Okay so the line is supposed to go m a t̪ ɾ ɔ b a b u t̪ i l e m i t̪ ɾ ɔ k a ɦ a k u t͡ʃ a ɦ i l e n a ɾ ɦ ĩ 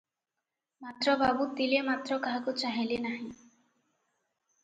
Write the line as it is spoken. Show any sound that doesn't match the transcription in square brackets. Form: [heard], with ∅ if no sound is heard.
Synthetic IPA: m a t̪ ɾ ɔ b a b u t̪ i l e m [a] t̪ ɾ ɔ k a ɦ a k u t͡ʃ a ɦ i l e n a [∅] ɦ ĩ